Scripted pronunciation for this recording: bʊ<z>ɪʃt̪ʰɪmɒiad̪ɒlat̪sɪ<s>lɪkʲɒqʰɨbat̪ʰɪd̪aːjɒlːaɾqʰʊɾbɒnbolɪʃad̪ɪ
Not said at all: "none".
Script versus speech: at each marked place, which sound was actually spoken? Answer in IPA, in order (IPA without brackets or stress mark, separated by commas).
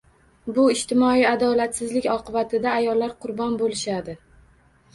none, z